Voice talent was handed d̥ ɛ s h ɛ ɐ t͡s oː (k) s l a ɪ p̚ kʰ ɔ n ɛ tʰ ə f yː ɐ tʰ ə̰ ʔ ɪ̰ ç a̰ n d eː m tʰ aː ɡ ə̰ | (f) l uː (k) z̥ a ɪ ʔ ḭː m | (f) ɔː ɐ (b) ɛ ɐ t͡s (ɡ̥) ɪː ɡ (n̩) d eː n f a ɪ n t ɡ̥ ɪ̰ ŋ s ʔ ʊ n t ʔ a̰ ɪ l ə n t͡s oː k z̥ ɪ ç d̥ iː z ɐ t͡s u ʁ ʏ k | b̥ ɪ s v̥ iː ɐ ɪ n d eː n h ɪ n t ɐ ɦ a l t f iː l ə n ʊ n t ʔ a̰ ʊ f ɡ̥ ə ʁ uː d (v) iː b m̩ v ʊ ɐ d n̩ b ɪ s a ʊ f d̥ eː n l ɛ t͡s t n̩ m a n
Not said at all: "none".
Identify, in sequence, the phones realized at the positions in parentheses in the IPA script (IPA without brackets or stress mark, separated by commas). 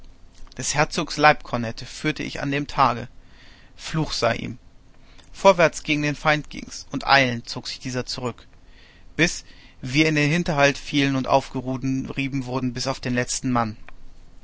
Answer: k, f, x, f, v, ɡ̥, ŋ̩, ʁ